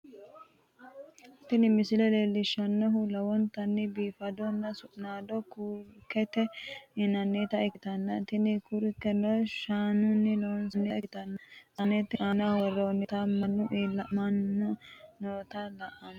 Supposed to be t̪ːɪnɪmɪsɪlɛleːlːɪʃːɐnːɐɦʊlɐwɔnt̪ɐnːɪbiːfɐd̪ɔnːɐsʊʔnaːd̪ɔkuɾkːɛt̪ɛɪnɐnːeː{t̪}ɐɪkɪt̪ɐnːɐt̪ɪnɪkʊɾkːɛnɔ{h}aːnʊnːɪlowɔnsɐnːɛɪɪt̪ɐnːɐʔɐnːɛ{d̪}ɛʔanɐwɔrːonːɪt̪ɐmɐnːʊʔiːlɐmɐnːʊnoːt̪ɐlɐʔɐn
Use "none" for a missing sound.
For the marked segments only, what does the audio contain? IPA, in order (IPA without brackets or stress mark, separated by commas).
t̪, ʃ, t̪